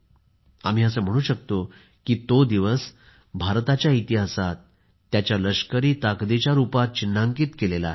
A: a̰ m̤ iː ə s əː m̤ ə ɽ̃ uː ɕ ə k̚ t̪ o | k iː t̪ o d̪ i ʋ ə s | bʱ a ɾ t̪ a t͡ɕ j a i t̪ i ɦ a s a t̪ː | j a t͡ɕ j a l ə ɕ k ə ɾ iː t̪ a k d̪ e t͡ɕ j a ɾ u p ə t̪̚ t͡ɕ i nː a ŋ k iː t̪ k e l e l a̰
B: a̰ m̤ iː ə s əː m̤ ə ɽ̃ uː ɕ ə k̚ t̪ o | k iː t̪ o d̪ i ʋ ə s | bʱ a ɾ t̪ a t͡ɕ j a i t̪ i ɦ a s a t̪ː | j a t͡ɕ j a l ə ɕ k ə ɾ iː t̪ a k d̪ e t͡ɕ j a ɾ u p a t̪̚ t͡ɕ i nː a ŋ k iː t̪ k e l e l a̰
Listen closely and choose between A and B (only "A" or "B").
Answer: B